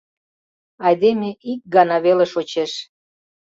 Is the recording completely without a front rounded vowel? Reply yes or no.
yes